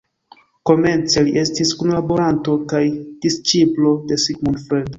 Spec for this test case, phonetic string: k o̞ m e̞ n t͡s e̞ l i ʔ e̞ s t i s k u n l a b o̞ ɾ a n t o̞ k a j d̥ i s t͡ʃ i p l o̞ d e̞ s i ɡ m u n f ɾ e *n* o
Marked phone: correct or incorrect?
incorrect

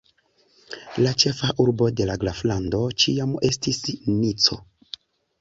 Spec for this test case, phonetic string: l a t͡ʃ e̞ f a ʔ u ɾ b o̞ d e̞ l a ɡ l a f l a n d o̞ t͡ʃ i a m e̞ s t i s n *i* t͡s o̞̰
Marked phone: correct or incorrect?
correct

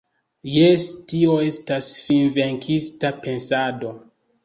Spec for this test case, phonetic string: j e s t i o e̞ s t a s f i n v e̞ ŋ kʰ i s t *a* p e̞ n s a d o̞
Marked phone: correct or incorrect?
correct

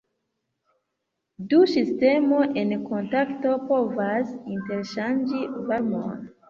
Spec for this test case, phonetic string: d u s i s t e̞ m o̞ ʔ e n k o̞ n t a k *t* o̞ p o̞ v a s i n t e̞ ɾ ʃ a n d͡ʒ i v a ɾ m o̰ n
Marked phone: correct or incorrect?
correct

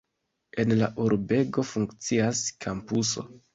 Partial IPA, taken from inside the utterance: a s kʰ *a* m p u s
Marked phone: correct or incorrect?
correct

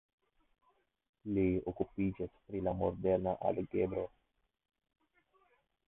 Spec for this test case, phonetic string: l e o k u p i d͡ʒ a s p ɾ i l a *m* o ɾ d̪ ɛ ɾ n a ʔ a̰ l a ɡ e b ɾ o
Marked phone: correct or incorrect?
correct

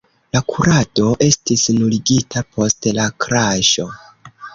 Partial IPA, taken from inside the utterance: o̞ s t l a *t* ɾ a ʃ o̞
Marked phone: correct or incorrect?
incorrect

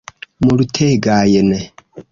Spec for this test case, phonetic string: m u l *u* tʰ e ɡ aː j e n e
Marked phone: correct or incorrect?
correct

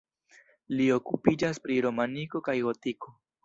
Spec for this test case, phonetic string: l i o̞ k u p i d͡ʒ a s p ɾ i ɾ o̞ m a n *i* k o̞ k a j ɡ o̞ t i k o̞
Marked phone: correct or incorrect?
correct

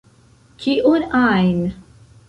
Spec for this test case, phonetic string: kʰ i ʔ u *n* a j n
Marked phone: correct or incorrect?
correct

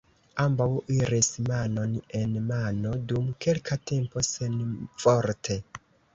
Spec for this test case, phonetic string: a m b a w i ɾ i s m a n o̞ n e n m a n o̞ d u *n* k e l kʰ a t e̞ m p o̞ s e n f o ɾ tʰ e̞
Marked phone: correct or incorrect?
incorrect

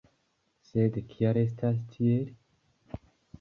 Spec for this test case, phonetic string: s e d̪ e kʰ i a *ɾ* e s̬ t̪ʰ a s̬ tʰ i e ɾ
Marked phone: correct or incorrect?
correct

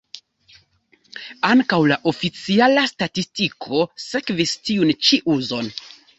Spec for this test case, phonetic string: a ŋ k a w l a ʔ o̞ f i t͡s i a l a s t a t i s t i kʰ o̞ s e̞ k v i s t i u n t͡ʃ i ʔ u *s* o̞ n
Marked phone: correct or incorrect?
incorrect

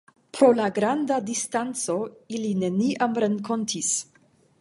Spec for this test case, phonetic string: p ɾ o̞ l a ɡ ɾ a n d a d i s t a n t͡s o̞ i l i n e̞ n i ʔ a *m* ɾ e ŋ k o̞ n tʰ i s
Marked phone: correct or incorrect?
correct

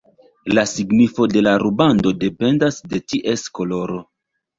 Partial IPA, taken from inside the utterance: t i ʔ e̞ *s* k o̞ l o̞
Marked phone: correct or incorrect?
correct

